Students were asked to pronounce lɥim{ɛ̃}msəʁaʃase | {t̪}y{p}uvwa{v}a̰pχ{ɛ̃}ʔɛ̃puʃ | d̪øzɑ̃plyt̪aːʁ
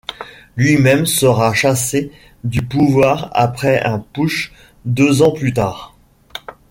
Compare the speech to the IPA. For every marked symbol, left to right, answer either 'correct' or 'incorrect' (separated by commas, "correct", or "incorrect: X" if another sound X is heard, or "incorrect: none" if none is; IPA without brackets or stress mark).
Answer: incorrect: ɛ, incorrect: d̪, correct, incorrect: ʁ, incorrect: ɛ